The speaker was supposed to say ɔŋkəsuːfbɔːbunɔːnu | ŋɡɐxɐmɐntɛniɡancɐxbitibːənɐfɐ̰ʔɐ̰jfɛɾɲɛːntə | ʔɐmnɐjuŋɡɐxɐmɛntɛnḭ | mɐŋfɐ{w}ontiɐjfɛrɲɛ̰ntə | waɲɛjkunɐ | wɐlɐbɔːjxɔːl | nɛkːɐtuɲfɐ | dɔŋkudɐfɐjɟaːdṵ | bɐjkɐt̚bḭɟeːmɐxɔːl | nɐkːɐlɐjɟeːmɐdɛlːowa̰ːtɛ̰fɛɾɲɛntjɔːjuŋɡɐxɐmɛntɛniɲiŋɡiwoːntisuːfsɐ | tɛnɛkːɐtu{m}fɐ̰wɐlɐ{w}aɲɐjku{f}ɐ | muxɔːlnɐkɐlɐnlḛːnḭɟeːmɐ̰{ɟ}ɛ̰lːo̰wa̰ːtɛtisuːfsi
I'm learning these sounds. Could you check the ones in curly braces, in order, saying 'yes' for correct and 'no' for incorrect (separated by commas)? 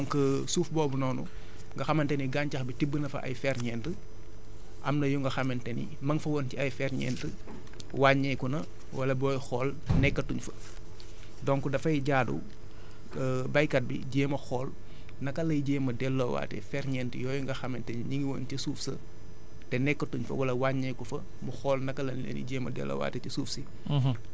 yes, no, yes, yes, no